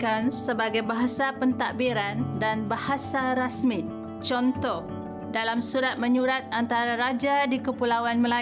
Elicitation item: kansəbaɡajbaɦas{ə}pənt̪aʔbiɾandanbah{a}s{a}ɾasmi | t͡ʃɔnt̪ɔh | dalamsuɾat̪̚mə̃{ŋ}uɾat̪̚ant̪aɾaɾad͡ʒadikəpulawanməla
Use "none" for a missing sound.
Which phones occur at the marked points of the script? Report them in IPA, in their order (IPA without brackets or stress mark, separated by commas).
a, a, a, ɲ